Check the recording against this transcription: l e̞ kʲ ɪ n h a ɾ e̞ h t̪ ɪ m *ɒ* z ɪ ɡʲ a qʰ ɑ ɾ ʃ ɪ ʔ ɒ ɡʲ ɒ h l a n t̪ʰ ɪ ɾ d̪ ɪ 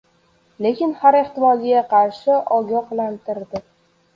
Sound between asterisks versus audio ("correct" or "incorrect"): correct